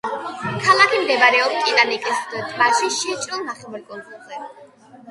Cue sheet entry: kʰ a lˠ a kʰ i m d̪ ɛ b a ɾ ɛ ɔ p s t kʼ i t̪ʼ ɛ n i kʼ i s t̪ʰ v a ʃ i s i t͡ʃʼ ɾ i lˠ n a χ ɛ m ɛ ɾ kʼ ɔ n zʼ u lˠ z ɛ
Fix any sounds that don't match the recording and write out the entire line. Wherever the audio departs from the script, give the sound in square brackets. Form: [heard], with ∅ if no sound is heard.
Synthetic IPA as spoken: kʰ a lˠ a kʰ i m d̪ ɛ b a ɾ ɛ ɔ p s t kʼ i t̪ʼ [a] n i kʼ i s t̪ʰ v a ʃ i [ʃ] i t͡ʃʼ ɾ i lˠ n a χ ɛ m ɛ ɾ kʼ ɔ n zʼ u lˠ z ɛ